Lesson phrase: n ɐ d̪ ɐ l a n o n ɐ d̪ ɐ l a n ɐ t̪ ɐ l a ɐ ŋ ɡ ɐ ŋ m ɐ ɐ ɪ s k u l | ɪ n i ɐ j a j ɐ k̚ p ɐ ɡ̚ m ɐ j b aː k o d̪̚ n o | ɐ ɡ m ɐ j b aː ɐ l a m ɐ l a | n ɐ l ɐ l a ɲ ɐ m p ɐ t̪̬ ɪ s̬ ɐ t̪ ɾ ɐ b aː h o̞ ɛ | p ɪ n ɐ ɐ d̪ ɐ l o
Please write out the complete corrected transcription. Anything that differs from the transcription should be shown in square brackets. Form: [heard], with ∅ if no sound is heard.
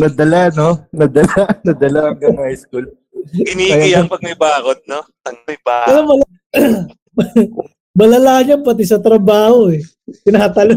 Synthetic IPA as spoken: n ɐ d̪ ɐ l a n o n ɐ d̪ ɐ l a n ɐ [d̪] ɐ l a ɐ ŋ ɡ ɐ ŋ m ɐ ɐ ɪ s k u l | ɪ n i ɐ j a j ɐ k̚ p ɐ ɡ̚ m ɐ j b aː k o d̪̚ n o | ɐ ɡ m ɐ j b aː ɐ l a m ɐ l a | [m] ɐ l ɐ l a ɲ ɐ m p ɐ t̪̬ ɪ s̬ ɐ t̪ ɾ ɐ b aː h o̞ ɛ | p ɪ n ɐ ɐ [t̪] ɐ l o